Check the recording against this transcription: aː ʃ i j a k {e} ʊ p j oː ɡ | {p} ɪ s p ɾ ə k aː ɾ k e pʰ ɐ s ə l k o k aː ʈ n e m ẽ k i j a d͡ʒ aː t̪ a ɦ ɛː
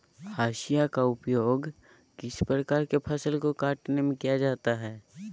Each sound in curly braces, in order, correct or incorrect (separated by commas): incorrect, incorrect